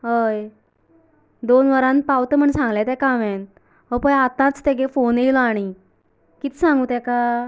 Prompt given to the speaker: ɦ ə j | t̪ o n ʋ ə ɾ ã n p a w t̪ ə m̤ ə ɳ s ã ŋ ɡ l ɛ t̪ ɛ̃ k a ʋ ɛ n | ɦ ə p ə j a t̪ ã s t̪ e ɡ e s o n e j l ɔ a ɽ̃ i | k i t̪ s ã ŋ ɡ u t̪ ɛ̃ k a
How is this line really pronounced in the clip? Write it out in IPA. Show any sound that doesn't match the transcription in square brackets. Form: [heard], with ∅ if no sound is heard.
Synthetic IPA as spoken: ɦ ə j | [d̪] o n ʋ ə ɾ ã n p a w t̪ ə m̤ ə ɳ s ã ŋ ɡ l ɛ t̪ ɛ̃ k a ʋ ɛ n | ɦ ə p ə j a t̪ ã [t͡s] t̪ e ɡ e [f] o n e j l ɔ a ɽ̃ i | k i t̪ s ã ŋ ɡ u t̪ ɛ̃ k a

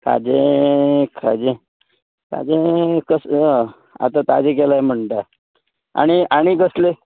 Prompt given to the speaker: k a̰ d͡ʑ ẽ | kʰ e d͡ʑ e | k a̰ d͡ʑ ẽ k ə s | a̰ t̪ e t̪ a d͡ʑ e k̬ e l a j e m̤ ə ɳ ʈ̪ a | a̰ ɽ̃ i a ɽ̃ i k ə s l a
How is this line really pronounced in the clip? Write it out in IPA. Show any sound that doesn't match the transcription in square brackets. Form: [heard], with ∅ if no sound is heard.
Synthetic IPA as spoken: k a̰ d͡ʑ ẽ | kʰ [a] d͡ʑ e | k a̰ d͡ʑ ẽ k ə s | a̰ t̪ [a] t̪ a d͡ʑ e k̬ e l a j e m̤ ə ɳ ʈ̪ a | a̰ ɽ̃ i a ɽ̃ i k ə s l [e]

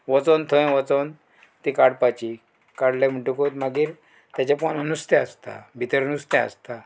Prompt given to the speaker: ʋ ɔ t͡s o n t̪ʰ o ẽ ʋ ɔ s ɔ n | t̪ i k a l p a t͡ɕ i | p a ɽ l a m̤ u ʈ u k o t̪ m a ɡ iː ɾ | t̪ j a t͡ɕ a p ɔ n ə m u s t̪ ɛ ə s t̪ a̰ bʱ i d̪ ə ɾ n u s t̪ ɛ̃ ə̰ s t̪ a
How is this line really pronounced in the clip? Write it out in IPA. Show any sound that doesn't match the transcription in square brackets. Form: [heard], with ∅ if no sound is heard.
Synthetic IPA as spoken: ʋ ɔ t͡s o n t̪ʰ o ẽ ʋ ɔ [t͡s] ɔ n | t̪ i k a [ɽ] p a t͡ɕ i | [k] a ɽ l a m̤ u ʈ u k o t̪ m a ɡ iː ɾ | t̪ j a t͡ɕ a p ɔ n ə [n] u s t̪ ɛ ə s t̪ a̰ bʱ i [t̪] ə ɾ n u s t̪ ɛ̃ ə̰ s t̪ a

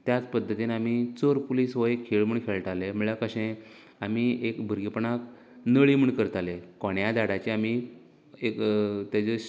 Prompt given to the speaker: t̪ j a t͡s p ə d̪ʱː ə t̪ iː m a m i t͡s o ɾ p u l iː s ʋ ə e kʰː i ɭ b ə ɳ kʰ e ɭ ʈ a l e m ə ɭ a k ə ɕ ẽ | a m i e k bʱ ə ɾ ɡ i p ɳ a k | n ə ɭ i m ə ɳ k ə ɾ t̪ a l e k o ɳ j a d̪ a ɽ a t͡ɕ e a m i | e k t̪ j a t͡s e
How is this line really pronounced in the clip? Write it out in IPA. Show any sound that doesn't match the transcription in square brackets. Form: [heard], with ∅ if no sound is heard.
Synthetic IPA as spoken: t̪ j a t͡s p ə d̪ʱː ə t̪ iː [n] a m i t͡s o ɾ p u l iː s ʋ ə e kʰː [e] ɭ [m] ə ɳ kʰ e ɭ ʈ a l e m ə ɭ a k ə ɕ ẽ | a m i e k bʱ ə ɾ ɡ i p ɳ a k | n ə ɭ i m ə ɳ k ə ɾ t̪ a l e k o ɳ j a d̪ a ɽ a t͡ɕ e a m i | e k t̪ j a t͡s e

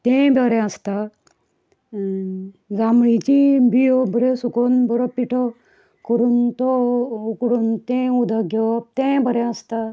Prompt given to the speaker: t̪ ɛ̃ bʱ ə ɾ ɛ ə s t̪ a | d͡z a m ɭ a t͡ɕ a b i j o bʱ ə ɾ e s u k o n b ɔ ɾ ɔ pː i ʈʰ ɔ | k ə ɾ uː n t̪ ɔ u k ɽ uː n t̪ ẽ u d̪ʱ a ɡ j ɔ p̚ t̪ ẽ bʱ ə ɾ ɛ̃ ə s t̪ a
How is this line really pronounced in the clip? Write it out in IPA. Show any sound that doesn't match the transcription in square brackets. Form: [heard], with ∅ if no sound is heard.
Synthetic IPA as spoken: t̪ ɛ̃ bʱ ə ɾ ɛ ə s t̪ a | d͡z a m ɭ [i] t͡ɕ [i] b i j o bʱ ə ɾ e s u k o n b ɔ ɾ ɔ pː i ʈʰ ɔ | k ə ɾ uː n t̪ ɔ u k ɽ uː n t̪ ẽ u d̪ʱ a ɡ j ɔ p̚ t̪ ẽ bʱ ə ɾ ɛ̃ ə s t̪ a

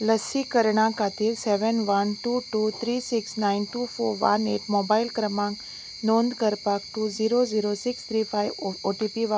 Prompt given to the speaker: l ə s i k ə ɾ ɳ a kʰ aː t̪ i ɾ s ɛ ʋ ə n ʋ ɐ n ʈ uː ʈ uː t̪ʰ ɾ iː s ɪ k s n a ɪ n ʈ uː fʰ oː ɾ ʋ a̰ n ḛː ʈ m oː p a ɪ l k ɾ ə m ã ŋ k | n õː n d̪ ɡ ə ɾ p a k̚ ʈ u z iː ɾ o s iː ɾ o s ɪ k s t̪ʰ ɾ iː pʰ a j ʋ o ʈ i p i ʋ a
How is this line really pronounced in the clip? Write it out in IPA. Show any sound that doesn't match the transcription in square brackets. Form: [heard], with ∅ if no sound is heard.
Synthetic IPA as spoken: l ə s i k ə ɾ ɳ a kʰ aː t̪ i ɾ s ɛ ʋ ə n ʋ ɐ n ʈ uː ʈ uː t̪ʰ ɾ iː s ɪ k s n a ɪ n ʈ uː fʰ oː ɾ ʋ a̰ n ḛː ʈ m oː [b] a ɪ l k ɾ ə m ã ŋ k | n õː n d̪ [k] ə ɾ p a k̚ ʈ u z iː ɾ o [z] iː ɾ o s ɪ k s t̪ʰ ɾ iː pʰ a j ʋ o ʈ i p i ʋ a

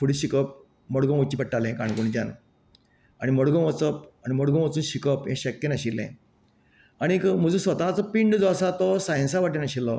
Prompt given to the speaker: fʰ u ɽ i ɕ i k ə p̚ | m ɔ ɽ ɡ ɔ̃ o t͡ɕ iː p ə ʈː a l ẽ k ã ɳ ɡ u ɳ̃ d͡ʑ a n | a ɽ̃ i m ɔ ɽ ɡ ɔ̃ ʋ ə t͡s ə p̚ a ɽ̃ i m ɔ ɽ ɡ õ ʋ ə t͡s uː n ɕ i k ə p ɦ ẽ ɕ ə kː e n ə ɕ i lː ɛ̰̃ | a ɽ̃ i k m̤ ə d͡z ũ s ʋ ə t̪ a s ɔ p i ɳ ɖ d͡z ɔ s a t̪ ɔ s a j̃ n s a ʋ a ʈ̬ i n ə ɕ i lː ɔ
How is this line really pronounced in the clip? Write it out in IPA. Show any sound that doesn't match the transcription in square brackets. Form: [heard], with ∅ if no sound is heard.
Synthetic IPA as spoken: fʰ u ɽ i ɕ i k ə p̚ | m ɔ ɽ ɡ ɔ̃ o t͡ɕ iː p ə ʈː a l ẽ k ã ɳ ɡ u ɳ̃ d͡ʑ a n | a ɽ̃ i m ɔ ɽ ɡ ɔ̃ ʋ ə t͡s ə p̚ a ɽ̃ i m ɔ ɽ ɡ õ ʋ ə t͡s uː n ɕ i k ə p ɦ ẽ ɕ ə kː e n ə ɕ i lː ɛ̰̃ | a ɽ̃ i k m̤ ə d͡z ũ s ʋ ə t̪ a [t͡s] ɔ p i ɳ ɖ d͡z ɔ s a t̪ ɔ s a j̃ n s a ʋ a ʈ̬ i n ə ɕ i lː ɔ

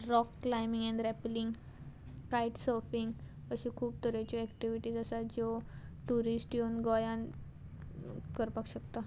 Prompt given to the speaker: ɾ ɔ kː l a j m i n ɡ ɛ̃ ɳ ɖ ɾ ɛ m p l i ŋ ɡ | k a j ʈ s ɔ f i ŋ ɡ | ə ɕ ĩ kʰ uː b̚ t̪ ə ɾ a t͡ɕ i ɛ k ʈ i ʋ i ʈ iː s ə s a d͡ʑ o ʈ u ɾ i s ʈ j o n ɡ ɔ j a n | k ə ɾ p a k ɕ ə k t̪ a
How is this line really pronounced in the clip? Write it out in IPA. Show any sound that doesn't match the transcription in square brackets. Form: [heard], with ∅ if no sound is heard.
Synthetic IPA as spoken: ɾ ɔ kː l a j m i [ŋ] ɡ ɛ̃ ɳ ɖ ɾ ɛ [∅] p l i ŋ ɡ | k a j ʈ s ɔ f i ŋ ɡ | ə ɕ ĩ kʰ uː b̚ t̪ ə ɾ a t͡ɕ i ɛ k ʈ i ʋ i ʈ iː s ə s a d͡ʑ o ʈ u ɾ i s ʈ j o n ɡ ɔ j a n | k ə ɾ p a k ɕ ə k t̪ a

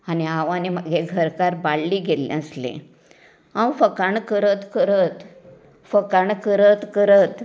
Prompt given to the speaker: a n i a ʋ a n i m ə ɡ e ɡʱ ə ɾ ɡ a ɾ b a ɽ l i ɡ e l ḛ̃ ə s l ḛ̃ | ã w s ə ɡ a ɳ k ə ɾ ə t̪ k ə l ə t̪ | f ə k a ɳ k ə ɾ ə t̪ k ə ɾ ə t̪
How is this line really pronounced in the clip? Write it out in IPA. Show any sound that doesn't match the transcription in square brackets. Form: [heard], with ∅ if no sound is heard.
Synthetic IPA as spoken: a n i a ʋ a n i m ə ɡ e ɡʱ ə ɾ [k] a ɾ b a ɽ l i ɡ e l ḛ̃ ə s l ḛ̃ | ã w [f] ə [k] a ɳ k ə ɾ ə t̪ k ə [ɾ] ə t̪ | f ə k a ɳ k ə ɾ ə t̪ k ə ɾ ə t̪

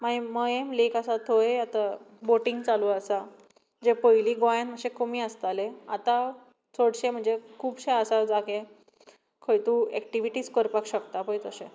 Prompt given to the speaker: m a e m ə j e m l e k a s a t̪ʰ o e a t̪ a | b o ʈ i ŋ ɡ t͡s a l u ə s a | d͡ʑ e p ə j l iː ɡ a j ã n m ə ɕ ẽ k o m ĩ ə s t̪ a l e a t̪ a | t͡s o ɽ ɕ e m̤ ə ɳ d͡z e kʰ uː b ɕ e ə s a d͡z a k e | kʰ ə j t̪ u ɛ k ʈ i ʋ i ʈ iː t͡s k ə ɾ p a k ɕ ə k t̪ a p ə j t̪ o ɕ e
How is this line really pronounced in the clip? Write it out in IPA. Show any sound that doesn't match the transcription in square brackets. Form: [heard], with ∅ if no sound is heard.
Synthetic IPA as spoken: m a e m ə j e m l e k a s a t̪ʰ o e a t̪ a | b o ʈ i ŋ ɡ t͡s a l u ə s a | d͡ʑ e p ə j l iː ɡ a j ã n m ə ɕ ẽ k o m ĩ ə s t̪ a l e a t̪ a | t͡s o ɽ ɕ e m̤ ə ɳ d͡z e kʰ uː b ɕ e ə s a d͡z a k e | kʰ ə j t̪ u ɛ k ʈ i ʋ i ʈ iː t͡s k ə ɾ p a k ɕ ə k t̪ a p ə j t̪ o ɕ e

